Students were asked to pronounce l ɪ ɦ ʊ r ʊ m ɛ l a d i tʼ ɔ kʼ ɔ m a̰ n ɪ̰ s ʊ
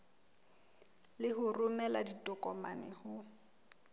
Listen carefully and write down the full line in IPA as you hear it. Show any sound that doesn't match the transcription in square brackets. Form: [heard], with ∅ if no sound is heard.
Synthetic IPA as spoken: l ɪ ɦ ʊ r ʊ m ɛ l a d i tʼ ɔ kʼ ɔ m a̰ n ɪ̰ [h] ʊ